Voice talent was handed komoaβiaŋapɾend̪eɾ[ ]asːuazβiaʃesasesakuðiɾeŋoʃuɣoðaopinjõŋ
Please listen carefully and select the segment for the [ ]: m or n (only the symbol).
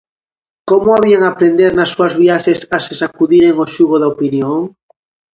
n